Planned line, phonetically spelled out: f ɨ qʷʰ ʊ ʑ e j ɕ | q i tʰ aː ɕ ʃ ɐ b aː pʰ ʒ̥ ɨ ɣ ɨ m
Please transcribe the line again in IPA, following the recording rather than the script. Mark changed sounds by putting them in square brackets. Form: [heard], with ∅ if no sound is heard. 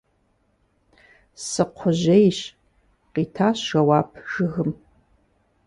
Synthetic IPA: [s] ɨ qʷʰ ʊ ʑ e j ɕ | q i tʰ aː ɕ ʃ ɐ [w] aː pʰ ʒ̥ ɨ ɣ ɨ m